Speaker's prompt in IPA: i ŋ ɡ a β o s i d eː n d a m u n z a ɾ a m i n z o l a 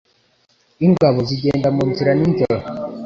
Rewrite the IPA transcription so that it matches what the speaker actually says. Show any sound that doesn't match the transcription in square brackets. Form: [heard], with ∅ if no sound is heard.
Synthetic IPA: i ŋ ɡ a β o [z] i [ɟ] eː n d a m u n z [i] ɾ a [n] i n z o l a